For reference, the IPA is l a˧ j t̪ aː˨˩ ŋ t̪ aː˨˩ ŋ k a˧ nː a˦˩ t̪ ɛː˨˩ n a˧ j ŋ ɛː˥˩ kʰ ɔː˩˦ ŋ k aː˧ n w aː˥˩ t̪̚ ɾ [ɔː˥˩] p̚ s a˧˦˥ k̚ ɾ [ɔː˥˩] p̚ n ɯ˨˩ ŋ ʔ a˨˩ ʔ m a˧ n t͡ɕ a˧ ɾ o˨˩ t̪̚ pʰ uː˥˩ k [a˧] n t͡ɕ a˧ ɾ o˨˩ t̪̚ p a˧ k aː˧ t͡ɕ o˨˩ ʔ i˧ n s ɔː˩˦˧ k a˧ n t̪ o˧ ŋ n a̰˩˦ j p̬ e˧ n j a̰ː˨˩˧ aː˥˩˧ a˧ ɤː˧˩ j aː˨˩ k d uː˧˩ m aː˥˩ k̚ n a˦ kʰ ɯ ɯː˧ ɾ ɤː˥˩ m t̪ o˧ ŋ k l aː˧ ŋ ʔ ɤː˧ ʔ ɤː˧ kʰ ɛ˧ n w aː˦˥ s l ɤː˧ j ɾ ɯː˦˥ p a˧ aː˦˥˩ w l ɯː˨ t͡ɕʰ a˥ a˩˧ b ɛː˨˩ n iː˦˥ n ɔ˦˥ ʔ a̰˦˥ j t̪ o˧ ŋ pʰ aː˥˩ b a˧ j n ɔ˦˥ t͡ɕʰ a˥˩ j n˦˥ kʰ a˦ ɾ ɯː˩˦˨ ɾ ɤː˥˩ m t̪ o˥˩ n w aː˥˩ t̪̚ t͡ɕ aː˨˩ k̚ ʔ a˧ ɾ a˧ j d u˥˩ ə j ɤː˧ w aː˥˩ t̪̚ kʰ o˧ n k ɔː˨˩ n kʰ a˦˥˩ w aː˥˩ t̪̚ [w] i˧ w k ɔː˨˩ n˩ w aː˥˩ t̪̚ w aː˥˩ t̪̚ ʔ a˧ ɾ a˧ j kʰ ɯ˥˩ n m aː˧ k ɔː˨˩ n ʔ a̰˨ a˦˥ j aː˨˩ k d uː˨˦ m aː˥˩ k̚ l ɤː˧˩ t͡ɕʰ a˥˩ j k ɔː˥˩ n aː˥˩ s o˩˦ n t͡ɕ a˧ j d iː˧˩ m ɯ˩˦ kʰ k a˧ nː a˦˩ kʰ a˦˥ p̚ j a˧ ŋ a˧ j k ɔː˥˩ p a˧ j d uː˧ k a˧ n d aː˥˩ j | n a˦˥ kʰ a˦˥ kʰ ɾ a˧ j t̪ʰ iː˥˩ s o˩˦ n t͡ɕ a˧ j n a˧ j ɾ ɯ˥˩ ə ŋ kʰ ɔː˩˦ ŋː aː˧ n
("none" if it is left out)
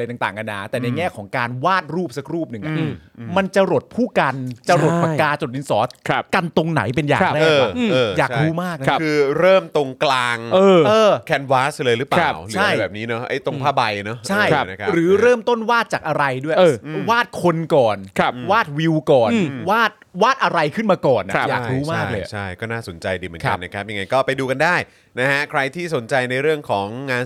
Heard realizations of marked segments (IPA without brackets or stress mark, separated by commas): uː˥˩, uː˥˩, a˧, w